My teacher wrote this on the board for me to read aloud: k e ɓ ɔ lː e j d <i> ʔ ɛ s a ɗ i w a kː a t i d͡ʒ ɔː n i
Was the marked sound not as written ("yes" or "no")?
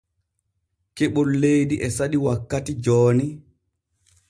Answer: no